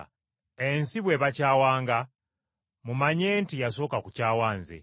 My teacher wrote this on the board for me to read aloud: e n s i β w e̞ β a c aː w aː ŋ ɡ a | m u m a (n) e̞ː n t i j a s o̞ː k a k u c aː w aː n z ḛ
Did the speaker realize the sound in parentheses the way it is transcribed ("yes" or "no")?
no